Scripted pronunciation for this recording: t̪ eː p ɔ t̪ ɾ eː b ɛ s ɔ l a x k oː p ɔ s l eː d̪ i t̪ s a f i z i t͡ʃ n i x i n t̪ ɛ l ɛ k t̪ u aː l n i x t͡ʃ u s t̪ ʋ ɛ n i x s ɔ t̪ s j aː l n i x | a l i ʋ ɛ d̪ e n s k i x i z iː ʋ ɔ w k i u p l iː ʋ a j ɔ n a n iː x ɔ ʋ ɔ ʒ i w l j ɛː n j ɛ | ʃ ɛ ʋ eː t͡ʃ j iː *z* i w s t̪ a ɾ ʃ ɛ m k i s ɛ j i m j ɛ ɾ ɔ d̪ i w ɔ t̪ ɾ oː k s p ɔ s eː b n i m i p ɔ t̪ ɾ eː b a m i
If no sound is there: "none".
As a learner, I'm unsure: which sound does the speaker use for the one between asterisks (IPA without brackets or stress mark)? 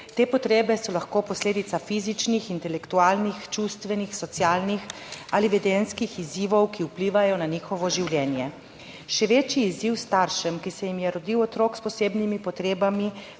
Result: z